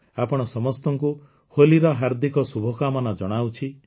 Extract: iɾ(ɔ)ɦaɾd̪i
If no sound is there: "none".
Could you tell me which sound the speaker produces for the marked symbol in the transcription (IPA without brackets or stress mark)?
ɔ